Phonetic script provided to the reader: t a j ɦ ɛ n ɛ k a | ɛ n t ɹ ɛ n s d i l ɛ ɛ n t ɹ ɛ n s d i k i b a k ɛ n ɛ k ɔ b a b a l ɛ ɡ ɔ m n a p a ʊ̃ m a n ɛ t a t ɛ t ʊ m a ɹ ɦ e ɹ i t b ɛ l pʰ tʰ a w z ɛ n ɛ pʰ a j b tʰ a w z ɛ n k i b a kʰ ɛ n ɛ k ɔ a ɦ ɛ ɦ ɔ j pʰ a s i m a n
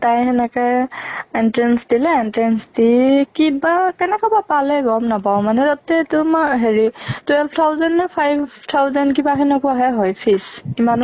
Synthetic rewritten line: t a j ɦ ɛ n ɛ k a | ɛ n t ɹ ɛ n s d i l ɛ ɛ n t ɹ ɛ n s d i k i b a k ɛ n ɛ k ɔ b a p a l ɛ ɡ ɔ m n a p a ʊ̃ m a n ɛ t a t ɛ t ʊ m a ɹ ɦ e ɹ i t w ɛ l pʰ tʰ a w z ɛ n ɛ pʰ a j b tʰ a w z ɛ n k i b a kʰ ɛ n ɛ k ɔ a ɦ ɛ ɦ ɔ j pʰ i s i m a n